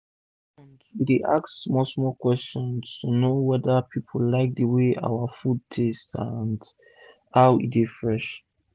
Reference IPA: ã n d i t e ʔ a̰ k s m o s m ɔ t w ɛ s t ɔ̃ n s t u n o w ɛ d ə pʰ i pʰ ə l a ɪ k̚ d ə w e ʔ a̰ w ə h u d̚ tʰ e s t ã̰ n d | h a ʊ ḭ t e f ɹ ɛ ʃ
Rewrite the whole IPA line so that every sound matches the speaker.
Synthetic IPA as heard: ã n d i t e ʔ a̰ k s m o s m ɔ k w ɛ s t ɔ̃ n s t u n o w ɛ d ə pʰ i pʰ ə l a ɪ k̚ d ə w e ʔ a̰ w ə f u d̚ tʰ e s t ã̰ n d | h a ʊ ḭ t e f ɹ ɛ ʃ